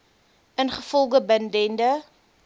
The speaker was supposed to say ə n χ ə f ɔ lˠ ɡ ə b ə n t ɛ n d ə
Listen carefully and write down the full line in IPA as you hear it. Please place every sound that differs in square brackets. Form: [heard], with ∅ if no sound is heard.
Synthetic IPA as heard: ə n χ ə f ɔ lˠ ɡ ə b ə n [d] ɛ n d ə